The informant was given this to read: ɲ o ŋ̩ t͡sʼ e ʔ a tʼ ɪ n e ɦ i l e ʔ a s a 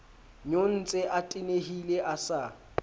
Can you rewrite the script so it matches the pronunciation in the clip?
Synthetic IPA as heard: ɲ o n̩ t͡sʼ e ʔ a tʼ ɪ n e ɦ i l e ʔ a s a